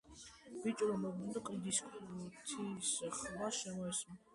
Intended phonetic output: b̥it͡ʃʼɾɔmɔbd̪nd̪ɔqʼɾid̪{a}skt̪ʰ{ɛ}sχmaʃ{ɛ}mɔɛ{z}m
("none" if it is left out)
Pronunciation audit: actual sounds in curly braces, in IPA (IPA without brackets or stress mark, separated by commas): i, i, ɛ, s